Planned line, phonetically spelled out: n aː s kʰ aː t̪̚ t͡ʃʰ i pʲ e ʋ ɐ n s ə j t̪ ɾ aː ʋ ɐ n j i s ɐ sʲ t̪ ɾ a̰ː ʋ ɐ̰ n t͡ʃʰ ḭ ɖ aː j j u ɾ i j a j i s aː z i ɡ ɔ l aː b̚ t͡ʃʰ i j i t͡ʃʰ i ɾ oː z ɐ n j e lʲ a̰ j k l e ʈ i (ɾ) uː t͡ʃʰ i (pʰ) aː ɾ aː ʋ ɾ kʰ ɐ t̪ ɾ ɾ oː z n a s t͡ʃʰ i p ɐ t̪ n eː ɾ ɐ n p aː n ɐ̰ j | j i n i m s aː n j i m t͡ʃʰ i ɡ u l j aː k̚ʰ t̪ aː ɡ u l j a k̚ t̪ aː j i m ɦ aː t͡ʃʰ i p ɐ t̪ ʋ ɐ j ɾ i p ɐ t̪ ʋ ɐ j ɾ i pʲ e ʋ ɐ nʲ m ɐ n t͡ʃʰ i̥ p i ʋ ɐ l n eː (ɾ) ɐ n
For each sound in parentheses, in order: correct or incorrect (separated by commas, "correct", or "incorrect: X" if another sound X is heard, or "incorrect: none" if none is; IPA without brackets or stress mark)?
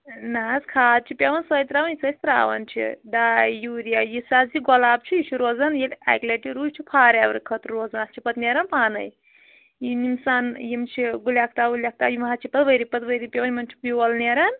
correct, correct, correct